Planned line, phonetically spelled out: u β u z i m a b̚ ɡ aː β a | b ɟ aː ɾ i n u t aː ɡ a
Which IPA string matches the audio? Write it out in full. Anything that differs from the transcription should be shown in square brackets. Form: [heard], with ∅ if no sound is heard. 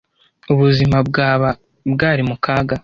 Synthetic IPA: u β u z i m a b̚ ɡ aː β a | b [ɡ] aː ɾ i [m] u [k] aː ɡ a